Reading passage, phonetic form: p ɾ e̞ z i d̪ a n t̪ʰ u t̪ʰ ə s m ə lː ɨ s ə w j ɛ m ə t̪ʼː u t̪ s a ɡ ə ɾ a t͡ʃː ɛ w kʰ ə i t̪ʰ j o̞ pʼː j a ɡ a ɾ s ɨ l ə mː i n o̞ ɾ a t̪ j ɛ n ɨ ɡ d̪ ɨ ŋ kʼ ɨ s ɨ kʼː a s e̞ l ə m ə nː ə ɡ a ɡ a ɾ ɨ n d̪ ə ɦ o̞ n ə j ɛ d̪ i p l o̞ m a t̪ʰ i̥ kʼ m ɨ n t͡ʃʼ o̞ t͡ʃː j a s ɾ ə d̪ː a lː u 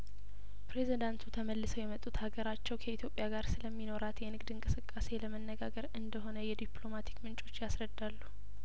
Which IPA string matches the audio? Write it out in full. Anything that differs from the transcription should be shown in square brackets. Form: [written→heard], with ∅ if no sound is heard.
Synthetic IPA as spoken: p ɾ e̞ z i d̪ a n t̪ʰ u t̪ʰ ə [s→∅] m ə lː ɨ s ə w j ɛ m ə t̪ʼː u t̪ [s→h] a ɡ ə ɾ a t͡ʃː ɛ w kʰ ə i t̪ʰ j o̞ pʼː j a ɡ a ɾ s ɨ l ə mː i n o̞ ɾ a t̪ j ɛ n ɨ ɡ d̪ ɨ ŋ kʼ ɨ s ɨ kʼː a s e̞ l ə m ə nː ə ɡ a ɡ [a→ə] ɾ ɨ n d̪ ə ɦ o̞ n ə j ɛ d̪ i p l o̞ m a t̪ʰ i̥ [kʼ→k] m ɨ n t͡ʃʼ o̞ t͡ʃː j a s ɾ ə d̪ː a lː u